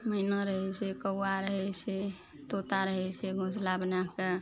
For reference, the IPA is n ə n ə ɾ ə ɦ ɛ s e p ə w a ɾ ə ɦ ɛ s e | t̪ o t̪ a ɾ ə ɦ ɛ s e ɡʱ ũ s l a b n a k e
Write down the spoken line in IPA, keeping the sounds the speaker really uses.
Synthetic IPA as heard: m ə n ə ɾ ə ɦ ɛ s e k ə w a ɾ ə ɦ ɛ s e | t̪ o t̪ a ɾ ə ɦ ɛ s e ɡʱ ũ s l a b n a k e